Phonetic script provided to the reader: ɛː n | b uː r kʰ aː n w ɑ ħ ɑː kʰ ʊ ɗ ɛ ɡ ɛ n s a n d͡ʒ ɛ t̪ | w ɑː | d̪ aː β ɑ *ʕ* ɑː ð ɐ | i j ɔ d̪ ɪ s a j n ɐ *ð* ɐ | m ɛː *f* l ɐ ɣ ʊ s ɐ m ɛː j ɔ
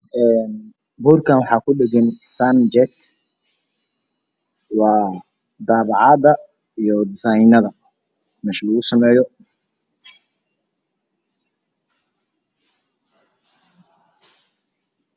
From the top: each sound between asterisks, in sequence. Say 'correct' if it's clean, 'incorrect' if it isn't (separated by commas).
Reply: correct, correct, incorrect